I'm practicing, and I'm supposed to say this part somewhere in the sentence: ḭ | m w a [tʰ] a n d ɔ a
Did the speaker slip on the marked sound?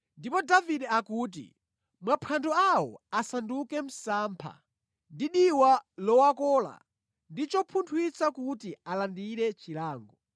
yes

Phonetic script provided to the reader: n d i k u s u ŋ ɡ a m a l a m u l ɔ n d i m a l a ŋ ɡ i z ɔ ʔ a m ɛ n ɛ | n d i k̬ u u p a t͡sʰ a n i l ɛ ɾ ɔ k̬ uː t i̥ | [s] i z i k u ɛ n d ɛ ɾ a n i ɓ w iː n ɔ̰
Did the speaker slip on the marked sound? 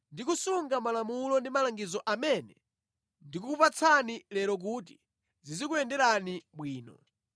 yes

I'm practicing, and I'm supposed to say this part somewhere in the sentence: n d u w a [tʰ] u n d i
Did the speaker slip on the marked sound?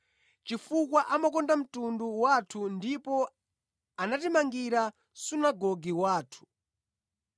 no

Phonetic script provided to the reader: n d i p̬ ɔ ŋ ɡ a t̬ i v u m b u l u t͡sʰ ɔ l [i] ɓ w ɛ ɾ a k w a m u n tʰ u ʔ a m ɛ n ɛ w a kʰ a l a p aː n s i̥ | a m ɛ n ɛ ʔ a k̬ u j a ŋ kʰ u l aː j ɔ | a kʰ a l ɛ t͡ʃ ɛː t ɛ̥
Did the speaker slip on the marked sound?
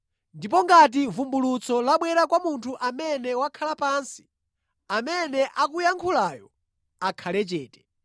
yes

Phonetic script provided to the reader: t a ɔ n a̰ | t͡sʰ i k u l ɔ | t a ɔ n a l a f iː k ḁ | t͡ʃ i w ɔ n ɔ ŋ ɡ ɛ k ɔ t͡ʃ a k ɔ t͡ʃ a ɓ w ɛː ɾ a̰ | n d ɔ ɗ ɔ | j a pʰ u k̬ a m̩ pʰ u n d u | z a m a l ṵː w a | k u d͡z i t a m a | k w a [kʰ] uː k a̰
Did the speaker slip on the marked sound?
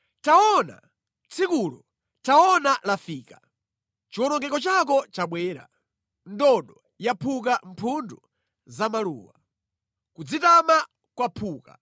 yes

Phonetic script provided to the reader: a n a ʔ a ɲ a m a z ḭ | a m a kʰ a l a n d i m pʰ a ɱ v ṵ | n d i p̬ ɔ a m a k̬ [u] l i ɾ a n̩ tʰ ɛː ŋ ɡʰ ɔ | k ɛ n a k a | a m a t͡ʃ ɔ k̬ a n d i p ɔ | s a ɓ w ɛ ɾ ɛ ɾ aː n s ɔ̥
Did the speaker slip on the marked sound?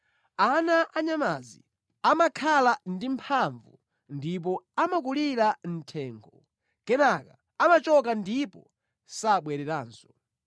no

